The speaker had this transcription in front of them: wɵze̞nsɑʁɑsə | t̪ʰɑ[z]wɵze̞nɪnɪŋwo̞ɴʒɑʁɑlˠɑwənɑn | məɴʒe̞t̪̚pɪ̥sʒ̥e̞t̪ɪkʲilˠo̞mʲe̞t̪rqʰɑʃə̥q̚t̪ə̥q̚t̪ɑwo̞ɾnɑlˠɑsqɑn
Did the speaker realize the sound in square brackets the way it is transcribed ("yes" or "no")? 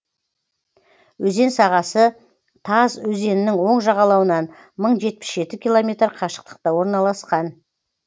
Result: yes